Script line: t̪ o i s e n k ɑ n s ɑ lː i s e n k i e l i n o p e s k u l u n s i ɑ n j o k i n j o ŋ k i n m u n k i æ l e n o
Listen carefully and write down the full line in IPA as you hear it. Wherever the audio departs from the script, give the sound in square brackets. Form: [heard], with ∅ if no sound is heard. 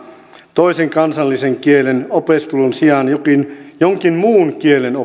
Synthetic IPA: t̪ o i s e [ŋ] k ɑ n s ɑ lː i s e [ŋ] k i e l [e] n o p e s k u l u n s i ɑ n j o k i n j o ŋ k i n m [uː] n k i [e] l e n o